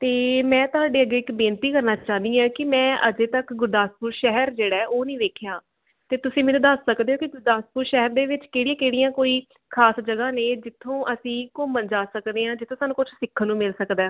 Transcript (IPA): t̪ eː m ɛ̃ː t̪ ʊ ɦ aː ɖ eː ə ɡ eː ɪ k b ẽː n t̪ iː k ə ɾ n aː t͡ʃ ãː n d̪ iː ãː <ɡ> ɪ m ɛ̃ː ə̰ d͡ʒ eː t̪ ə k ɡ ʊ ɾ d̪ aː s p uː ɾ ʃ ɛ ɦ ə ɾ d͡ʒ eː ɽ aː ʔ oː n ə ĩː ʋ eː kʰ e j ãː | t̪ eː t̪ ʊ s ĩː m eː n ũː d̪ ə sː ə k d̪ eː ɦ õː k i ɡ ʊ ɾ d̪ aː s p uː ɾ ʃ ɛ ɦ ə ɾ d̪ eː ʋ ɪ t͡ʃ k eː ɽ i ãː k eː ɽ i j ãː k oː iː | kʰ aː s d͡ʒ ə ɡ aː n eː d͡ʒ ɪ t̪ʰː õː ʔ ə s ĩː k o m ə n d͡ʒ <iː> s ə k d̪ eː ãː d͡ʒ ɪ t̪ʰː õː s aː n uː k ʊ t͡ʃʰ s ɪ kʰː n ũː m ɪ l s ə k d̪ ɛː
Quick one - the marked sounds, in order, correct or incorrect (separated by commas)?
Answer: incorrect, incorrect